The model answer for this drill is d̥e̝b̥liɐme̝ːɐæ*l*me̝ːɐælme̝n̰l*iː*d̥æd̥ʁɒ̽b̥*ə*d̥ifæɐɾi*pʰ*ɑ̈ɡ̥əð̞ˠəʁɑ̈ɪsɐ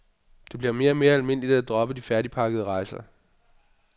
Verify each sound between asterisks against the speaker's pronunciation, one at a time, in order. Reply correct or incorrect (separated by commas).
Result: incorrect, incorrect, correct, correct